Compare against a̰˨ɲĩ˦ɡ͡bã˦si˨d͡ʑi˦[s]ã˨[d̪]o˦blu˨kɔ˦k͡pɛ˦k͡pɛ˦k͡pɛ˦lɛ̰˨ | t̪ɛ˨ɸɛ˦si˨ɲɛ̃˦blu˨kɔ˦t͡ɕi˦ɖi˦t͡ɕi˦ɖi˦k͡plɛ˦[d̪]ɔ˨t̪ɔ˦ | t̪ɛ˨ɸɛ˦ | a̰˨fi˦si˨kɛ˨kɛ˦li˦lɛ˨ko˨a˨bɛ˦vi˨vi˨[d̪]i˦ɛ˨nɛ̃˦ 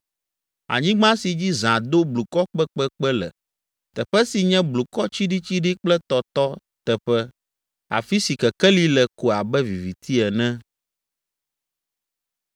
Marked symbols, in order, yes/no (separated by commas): no, yes, no, no